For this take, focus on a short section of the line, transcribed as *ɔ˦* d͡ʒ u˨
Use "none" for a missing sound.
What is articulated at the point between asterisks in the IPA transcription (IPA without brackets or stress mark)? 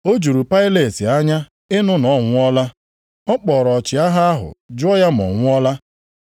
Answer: o˦